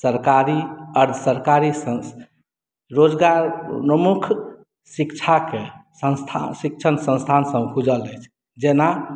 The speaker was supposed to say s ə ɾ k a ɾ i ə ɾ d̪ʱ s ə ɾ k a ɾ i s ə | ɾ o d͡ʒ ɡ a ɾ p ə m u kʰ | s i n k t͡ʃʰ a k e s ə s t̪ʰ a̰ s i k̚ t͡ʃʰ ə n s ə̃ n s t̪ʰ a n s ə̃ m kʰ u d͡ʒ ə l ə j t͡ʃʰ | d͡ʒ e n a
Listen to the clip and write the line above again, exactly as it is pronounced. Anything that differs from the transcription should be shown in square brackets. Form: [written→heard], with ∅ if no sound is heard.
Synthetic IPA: s ə ɾ k a ɾ i ə ɾ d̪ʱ s ə ɾ k a ɾ i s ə | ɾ o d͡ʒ ɡ a ɾ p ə m u kʰ | s i [n→∅] k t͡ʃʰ a k e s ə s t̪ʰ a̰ s i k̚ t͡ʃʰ ə n s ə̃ n s t̪ʰ a n s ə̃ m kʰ u d͡ʒ ə l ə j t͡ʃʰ | d͡ʒ e n a